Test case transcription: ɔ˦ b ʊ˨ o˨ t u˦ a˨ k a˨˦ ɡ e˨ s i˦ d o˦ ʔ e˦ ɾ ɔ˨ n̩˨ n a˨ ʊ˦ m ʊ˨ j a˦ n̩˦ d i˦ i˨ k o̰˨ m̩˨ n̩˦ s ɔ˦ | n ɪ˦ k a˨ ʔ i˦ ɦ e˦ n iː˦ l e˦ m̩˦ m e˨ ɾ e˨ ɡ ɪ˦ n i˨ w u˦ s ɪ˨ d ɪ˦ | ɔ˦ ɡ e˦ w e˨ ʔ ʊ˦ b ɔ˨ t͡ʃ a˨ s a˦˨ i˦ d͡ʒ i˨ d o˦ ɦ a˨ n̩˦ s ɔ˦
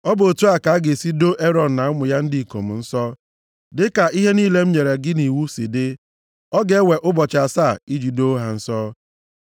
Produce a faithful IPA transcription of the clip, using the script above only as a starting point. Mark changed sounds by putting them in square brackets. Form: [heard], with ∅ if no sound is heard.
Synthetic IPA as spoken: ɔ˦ b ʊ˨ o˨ t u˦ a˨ k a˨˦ ɡ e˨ s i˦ d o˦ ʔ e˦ ɾ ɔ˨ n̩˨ n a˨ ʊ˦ m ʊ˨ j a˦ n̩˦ d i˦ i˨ k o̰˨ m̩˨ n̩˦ s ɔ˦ | [d] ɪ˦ k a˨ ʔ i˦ ɦ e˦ n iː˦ l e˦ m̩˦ [ɲ] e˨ ɾ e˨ ɡ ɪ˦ n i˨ w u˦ s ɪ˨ d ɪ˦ | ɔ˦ ɡ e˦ w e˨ ʔ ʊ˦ b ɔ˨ t͡ʃ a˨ s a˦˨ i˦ d͡ʒ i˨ d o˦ ɦ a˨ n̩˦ s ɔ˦